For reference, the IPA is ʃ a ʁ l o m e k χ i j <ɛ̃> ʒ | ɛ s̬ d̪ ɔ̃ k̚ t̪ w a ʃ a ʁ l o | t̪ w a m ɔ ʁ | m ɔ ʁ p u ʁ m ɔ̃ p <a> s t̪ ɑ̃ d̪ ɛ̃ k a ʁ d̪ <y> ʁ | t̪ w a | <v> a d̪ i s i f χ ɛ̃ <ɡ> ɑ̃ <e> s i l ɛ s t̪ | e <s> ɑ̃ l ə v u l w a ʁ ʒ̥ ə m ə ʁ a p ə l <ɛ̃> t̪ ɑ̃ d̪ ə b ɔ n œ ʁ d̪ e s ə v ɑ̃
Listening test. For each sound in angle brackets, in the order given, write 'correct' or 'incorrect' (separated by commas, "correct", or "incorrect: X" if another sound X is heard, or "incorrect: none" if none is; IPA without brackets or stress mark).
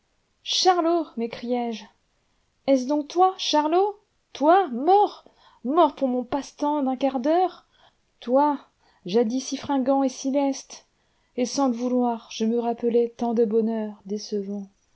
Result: incorrect: ɛ, correct, incorrect: œ, incorrect: ʒ, correct, correct, correct, incorrect: ɛ